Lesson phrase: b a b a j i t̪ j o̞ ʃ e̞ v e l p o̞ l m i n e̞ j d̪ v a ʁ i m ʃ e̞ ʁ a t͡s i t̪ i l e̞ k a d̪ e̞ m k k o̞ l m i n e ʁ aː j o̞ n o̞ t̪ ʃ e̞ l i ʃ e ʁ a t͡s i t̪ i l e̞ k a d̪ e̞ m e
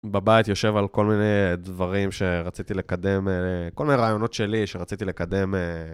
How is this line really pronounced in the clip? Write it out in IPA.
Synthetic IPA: b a b a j i t̪ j o̞ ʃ e̞ v a l k o̞ l m i n e̞ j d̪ v a ʁ i m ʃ e̞ ʁ a t͡s i t̪ i l e̞ k a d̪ e̞ m k k o̞ l m i n e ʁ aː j o̞ n o̞ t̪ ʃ e̞ l i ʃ e ʁ a t͡s i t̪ i l e̞ k a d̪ e̞ m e